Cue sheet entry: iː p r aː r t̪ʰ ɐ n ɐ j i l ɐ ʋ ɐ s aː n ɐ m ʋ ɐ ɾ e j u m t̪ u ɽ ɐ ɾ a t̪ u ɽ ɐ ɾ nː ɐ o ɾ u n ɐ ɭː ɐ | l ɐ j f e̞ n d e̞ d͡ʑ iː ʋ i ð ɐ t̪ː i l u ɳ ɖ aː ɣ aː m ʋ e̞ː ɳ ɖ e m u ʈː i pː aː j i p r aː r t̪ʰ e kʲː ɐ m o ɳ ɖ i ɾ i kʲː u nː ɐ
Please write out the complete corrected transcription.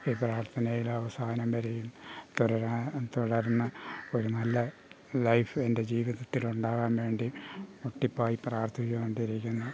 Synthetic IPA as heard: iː p r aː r t̪ʰ ɐ n ɐ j i l ɐ ʋ ɐ s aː n ɐ m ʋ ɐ ɾ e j u m t̪ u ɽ ɐ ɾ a t̪ u ɽ ɐ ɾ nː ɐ o ɾ u n ɐ lː ɐ | l ɐ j f e̞ n d e̞ d͡ʑ iː ʋ i ð ɐ t̪ː i l u ɳ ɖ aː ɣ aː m ʋ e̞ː ɳ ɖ i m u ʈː i pː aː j i p r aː r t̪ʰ i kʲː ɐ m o ɳ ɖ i ɾ i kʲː u nː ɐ

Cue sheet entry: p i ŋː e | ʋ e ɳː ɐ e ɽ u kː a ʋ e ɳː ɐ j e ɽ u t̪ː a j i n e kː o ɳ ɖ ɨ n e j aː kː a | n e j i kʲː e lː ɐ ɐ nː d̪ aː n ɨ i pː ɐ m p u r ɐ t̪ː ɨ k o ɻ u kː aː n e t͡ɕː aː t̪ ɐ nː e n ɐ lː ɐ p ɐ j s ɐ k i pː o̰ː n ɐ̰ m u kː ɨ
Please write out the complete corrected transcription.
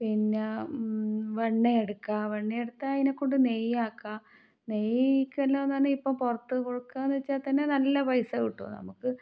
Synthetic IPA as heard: p i nː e | ʋ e ɳː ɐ e ɽ u kː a ʋ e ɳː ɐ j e ɽ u t̪ː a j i n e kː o ɳ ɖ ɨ n e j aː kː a | n e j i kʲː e lː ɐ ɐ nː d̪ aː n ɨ i pː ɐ m p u r ɐ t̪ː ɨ k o ɻ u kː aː n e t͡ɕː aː t̪ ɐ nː e n ɐ lː ɐ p ɐ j s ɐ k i ʈː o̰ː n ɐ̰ m u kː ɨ

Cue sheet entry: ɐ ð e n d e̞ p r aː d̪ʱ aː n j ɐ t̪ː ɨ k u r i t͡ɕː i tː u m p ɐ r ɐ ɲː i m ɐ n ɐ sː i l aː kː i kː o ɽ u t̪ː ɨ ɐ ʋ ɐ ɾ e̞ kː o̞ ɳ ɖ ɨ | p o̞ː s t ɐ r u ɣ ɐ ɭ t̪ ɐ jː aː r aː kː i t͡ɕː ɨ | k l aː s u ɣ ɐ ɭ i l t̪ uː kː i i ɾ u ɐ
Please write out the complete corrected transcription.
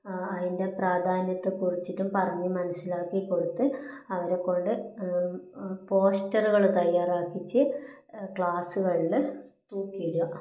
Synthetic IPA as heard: ɐ ð i n d e̞ p r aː d̪ʱ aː n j ɐ t̪ː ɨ k u r i t͡ɕː i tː u m p ɐ r ɐ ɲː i m ɐ n ɐ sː i l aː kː i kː o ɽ u t̪ː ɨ ɐ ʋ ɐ ɾ e̞ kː o̞ ɳ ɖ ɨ | p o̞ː s t ɐ r u ɣ ɐ ɭ t̪ ɐ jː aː r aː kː i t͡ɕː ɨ | k ɭ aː s u ɣ ɐ ɭ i l t̪ uː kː i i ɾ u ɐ

